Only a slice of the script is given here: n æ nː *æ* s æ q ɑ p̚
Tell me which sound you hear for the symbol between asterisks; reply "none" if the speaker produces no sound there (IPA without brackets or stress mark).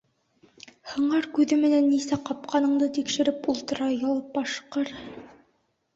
i